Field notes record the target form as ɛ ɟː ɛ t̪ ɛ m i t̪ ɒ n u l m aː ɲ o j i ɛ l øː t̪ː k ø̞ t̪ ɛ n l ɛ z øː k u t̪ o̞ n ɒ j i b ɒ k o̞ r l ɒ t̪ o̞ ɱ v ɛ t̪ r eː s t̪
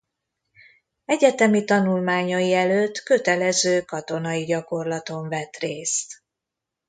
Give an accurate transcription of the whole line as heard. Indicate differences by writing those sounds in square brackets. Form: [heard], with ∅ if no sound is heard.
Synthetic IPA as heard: ɛ [ɟ] ɛ t̪ ɛ m i t̪ ɒ n u l m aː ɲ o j i ɛ l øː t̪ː k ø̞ t̪ ɛ [∅] l ɛ z øː k [ɒ] t̪ o̞ n ɒ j i [ɟ] ɒ k o̞ r l ɒ t̪ o̞ ɱ v ɛ t̪ r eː s t̪